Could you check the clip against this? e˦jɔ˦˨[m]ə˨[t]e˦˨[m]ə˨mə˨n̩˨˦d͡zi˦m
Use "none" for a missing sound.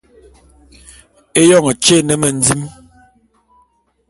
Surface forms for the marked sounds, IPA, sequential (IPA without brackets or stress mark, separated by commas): ŋ, t͡ʃ, n